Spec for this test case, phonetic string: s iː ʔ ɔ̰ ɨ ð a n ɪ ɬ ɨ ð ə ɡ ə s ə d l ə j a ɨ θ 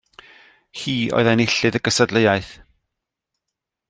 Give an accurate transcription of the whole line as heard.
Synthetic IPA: h iː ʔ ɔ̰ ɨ ð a n ɪ ɬ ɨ ð ə ɡ ə s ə d l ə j a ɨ θ